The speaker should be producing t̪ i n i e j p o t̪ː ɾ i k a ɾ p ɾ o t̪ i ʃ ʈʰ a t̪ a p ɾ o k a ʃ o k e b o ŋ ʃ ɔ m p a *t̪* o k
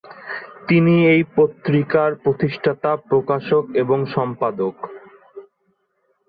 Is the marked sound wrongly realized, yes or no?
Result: yes